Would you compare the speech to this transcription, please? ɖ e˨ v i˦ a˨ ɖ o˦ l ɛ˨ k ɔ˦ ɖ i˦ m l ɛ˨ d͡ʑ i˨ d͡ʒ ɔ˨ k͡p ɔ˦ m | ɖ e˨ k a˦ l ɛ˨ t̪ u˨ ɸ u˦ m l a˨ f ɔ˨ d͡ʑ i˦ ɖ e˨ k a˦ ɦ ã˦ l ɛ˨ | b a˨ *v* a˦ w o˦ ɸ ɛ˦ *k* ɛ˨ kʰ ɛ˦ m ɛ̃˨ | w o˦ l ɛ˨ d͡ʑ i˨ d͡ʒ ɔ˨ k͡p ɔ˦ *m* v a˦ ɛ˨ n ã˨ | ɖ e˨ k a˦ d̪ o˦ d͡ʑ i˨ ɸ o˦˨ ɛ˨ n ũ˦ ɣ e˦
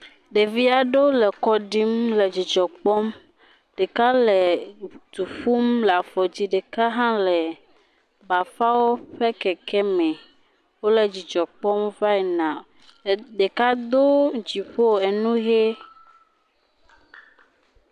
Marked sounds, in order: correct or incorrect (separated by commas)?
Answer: incorrect, correct, correct